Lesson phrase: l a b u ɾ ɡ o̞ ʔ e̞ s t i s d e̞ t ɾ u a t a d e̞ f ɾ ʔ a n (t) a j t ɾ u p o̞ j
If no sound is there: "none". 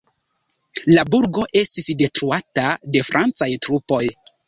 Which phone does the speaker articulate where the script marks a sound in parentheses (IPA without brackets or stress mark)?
t͡s